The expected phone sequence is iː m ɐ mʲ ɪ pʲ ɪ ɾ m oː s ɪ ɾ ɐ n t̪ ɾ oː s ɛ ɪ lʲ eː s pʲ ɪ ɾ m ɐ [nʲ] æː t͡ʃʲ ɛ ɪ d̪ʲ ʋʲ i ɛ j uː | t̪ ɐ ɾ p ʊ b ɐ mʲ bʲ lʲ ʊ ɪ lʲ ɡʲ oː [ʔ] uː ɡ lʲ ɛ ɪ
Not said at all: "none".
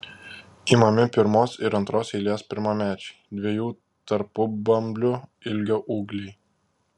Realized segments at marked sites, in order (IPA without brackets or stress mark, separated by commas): mʲ, ʔ